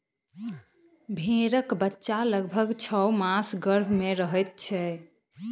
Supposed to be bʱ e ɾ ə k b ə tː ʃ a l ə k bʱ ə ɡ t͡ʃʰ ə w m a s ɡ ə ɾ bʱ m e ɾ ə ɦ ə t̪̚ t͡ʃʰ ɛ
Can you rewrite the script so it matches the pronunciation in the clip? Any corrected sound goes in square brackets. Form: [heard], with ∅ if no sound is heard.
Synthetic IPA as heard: bʱ e ɾ ə k b ə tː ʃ a l ə [ɡ] bʱ ə ɡ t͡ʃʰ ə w m a s ɡ ə ɾ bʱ m e ɾ ə ɦ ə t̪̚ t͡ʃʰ ɛ